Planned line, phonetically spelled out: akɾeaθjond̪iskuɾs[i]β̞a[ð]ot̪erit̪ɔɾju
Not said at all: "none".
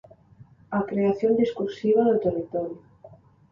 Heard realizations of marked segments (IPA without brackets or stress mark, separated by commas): i, ð